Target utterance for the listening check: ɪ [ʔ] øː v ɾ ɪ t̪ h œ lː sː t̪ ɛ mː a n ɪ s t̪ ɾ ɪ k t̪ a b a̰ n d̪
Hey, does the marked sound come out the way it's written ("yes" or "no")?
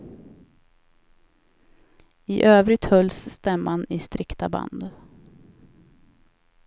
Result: yes